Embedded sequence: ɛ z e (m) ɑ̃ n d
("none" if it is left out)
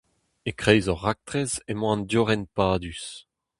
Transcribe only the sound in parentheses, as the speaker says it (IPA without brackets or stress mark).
m